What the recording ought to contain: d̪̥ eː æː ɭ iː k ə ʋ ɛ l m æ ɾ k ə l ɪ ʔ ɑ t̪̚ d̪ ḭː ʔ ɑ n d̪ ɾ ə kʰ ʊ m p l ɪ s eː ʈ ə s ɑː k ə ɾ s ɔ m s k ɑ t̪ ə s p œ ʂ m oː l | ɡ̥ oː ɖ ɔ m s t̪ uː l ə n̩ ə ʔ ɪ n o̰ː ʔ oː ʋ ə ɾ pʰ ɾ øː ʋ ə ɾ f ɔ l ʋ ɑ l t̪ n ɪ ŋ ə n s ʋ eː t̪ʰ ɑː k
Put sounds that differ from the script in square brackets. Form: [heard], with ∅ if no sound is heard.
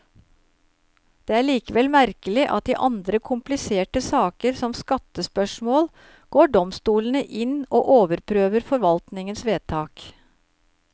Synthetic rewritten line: d̪̥ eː æː ɭ iː k ə ʋ ɛ l m æ ɾ k ə l ɪ ʔ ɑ t̪̚ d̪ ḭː ʔ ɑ n d̪ ɾ ə kʰ ʊ m p l ɪ s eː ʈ ə s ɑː k ə ɾ s ɔ m s k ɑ t̪ ə s p œ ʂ m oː l | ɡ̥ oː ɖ ɔ m s t̪ uː l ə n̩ ə ʔ ɪ n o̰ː ʔ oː ʋ ə ɾ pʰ ɾ øː ʋ ə ɾ f ɔ [ɾ] ʋ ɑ l t̪ n ɪ ŋ ə n s ʋ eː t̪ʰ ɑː k